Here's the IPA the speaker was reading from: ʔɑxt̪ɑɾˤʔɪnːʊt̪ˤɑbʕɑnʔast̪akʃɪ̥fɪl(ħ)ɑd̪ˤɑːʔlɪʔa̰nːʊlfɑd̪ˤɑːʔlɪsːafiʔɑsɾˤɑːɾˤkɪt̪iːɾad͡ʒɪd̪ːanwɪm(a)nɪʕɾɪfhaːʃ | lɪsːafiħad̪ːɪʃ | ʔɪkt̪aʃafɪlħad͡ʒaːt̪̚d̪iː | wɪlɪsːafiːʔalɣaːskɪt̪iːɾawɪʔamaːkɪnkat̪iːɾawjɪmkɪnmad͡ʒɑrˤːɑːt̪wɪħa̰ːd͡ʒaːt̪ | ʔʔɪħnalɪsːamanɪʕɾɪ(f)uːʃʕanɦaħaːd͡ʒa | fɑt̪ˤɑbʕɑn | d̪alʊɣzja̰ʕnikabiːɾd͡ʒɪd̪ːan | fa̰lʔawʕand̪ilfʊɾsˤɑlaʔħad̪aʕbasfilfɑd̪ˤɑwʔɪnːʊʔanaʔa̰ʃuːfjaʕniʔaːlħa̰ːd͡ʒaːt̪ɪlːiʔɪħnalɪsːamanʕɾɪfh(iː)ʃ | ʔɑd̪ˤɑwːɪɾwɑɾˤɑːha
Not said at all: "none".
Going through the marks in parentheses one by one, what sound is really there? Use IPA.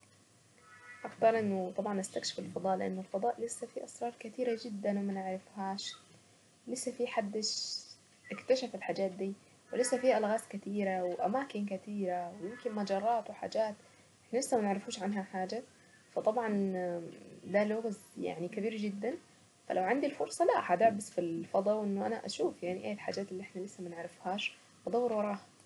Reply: f, a, f, aː

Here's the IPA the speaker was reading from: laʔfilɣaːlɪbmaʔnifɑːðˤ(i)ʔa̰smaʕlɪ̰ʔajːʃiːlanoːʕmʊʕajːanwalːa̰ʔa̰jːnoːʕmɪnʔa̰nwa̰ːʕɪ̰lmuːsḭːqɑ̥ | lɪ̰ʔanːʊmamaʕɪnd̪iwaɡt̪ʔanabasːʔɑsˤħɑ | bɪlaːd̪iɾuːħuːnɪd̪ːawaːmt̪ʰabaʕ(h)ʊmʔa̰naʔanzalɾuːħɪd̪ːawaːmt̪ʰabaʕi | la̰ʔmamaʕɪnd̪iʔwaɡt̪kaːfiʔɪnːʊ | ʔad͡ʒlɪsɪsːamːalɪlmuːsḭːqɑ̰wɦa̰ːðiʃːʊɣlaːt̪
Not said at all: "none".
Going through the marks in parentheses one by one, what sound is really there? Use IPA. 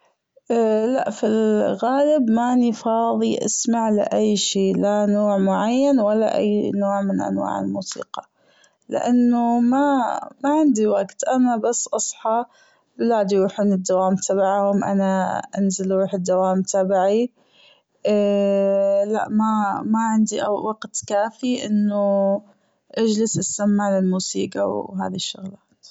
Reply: i, h

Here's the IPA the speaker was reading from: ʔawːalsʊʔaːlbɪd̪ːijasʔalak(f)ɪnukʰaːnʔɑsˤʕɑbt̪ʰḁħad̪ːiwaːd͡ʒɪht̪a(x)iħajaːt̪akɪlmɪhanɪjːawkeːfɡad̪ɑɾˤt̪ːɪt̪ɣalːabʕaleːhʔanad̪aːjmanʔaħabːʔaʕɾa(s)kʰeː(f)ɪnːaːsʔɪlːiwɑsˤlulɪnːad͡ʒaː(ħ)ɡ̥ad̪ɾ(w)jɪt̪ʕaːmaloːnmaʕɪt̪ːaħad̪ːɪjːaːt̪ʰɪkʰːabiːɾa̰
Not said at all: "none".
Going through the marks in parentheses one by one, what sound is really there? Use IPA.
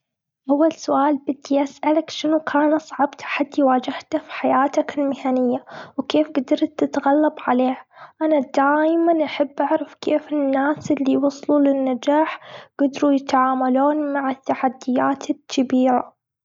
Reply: ʃ, f, f, f, ħ, u

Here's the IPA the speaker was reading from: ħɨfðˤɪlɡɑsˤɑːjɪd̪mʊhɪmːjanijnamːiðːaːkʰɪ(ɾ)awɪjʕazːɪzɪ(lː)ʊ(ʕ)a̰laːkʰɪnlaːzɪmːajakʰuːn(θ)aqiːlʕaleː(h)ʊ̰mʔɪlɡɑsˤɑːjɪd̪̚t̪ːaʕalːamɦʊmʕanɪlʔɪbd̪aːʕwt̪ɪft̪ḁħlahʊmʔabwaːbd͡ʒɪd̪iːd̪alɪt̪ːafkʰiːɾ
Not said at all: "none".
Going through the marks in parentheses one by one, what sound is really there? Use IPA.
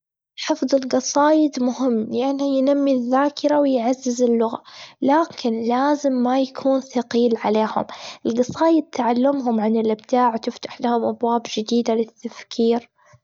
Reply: ɾ, lː, ɣ, θ, h

